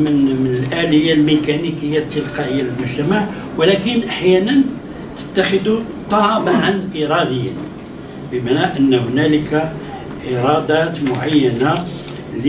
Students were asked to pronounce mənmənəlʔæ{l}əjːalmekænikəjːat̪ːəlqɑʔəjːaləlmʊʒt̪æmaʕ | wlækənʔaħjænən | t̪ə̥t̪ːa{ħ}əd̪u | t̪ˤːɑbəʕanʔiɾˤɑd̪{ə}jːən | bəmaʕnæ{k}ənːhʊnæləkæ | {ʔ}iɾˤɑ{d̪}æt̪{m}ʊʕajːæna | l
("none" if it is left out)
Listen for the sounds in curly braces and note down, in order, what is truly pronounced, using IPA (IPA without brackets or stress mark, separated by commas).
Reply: l, x, ə, ʔ, ʔ, d̪, m